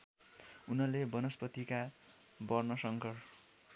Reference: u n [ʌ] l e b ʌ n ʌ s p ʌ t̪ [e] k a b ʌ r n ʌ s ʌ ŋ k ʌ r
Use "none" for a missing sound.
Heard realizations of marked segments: ʌ, i

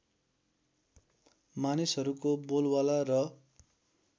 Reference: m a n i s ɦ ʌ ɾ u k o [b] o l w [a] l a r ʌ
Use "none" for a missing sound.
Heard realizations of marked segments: b, a

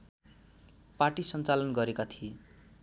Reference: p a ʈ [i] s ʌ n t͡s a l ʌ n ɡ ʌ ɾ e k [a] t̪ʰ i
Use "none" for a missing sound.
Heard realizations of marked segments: i, a

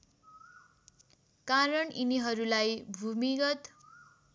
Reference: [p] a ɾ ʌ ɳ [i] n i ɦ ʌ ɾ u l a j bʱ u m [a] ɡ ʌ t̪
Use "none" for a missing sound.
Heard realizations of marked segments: k, i, i

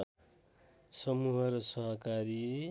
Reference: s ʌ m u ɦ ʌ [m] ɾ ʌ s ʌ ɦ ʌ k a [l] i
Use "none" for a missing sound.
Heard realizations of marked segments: none, ɾ

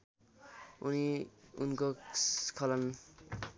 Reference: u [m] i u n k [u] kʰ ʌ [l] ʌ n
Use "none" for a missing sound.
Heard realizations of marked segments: n, o, l

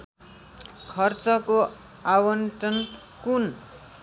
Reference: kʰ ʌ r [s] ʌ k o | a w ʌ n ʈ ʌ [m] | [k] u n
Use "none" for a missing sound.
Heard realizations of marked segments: t͡s, n, k

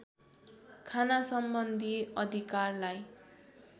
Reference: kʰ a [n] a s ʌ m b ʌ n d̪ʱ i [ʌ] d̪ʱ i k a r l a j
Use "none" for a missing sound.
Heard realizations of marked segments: n, ʌ

